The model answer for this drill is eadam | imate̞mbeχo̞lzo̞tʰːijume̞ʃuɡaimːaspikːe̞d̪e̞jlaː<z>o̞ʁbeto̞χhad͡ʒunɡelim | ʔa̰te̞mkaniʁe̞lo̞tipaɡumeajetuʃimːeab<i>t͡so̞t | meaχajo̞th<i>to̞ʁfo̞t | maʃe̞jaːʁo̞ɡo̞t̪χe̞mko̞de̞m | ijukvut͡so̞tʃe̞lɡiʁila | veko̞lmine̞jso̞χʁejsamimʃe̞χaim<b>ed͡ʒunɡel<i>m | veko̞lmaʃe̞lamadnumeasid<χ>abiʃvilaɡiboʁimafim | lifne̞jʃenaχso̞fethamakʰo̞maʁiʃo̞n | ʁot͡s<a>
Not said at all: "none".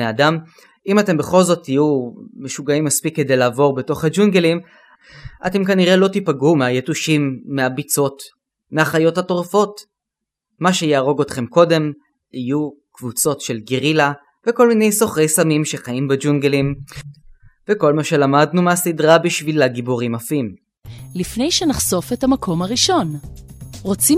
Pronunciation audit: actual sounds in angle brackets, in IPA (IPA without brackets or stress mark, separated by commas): v, i, a, b, i, ʁ, i